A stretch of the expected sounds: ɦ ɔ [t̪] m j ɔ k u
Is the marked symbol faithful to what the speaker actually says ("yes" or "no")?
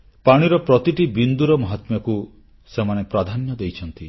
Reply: yes